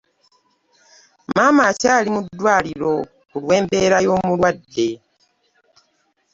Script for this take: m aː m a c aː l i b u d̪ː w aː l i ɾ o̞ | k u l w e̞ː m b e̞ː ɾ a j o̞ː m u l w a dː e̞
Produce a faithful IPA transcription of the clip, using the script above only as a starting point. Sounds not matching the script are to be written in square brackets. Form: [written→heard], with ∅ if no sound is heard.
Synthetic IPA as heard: m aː m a c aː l i [b→m] u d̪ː w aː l i ɾ o̞ | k u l w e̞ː m b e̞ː ɾ a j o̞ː m u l w a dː e̞